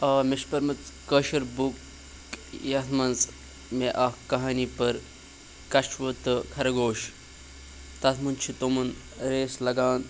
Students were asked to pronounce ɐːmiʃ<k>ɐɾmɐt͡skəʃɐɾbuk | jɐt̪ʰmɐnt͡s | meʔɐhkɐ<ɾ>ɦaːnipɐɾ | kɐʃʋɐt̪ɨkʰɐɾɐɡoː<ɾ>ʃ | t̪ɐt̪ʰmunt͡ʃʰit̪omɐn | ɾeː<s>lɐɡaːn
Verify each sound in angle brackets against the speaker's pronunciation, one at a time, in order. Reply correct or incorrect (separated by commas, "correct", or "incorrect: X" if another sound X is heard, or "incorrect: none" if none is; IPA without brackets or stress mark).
incorrect: p, incorrect: none, incorrect: none, correct